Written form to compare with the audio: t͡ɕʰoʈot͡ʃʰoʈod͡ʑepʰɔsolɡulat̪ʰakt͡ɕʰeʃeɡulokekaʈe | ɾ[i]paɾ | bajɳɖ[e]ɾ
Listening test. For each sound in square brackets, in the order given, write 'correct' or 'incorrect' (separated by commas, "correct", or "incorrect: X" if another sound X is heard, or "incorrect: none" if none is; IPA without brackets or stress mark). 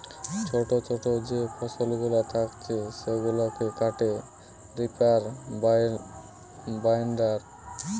correct, incorrect: a